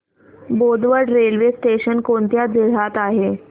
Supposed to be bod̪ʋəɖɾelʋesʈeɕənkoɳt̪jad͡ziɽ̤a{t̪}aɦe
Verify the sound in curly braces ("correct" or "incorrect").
correct